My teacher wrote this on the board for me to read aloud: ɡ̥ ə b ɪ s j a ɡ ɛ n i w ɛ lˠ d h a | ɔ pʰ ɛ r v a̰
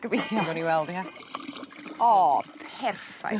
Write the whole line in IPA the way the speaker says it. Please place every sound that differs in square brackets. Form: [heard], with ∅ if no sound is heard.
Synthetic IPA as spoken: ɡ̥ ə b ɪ [θ] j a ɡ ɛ n i w ɛ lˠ d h a | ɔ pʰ ɛ r [f] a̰